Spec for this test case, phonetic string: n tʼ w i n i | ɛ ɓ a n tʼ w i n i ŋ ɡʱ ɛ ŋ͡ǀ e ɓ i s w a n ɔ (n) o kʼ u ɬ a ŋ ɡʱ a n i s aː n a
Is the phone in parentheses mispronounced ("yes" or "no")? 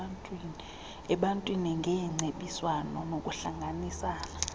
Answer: no